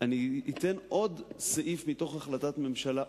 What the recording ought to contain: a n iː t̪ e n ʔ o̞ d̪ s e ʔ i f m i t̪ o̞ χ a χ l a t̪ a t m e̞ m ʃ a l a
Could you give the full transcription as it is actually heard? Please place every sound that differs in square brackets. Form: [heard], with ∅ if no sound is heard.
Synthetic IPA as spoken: a n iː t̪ e n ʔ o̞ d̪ s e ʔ i f m i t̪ o̞ χ a χ l a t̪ a t m e̞ m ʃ a l a